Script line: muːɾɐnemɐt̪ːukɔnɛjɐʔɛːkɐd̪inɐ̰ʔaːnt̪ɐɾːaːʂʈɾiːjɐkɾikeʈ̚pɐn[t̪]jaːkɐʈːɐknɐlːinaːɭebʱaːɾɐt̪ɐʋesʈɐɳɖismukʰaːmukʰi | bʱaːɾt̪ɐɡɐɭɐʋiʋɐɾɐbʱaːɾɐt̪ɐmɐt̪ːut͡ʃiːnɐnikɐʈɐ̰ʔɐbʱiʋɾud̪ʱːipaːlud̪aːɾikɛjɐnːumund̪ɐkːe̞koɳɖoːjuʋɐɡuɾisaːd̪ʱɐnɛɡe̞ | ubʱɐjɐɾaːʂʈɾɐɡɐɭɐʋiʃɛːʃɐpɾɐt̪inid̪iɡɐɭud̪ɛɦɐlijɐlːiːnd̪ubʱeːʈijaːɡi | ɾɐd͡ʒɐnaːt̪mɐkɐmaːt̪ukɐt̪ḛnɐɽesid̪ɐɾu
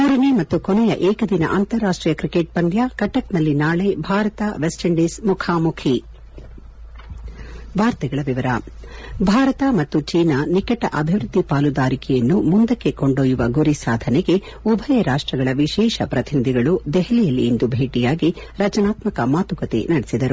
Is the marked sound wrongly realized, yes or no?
yes